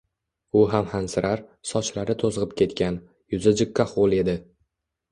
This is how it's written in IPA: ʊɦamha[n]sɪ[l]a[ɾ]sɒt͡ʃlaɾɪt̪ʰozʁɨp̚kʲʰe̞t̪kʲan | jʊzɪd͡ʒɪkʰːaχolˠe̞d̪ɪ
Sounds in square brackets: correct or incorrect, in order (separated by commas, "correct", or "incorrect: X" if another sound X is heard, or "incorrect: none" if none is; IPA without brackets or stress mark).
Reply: correct, incorrect: ɾ, correct